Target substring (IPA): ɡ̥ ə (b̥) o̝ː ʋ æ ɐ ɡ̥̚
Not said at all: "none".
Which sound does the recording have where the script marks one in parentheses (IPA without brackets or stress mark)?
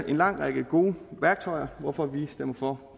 ɡ̥